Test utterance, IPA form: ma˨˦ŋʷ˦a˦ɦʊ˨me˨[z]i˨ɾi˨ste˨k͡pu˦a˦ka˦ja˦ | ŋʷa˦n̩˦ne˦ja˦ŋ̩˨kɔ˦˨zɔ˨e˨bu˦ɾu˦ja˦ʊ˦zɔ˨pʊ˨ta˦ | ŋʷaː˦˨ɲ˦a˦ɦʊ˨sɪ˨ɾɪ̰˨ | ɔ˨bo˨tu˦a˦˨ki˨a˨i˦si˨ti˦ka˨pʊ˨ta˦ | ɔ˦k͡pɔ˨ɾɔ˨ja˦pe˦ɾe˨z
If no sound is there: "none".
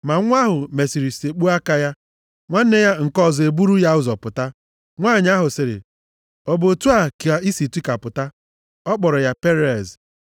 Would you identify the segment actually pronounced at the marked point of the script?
s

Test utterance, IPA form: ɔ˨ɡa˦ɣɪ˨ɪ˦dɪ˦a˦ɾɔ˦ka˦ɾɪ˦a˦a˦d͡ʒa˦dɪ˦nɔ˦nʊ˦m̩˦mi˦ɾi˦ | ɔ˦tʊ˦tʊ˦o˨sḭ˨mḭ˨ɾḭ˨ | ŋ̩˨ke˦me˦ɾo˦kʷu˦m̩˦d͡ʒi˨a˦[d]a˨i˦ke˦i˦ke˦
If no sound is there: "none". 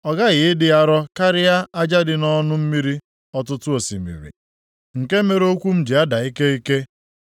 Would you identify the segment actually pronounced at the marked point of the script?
d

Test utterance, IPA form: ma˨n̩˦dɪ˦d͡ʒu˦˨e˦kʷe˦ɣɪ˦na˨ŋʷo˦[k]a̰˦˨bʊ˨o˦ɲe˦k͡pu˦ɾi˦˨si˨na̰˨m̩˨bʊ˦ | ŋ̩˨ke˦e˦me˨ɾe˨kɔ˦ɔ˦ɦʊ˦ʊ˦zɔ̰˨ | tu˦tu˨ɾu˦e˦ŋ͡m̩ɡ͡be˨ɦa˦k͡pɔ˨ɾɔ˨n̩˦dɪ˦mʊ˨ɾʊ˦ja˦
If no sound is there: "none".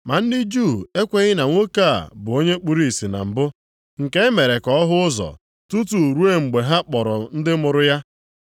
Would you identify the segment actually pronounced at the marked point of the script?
k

